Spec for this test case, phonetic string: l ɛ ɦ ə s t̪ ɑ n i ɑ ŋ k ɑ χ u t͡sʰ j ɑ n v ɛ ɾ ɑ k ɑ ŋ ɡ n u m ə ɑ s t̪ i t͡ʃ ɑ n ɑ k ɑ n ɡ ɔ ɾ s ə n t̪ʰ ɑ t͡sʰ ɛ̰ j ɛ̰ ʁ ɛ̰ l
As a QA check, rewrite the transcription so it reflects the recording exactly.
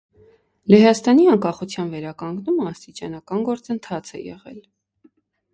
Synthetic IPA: l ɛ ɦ ɑ s t̪ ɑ n i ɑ ŋ k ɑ χ u t͡sʰ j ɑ n v ɛ ɾ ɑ k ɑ ŋ ɡ n u m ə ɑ s t̪ i t͡ʃ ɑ n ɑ k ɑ n ɡ ɔ ɾ t͡s ə n t̪ʰ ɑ t͡sʰ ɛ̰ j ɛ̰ ʁ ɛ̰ l